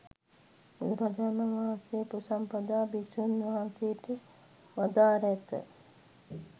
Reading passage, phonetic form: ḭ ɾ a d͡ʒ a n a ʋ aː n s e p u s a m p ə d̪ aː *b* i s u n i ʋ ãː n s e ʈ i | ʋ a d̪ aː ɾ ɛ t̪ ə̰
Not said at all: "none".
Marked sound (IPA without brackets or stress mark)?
b